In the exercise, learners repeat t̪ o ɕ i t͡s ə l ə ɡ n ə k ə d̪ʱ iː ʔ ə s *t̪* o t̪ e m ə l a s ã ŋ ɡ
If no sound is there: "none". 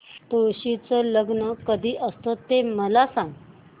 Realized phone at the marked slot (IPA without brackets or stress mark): t̪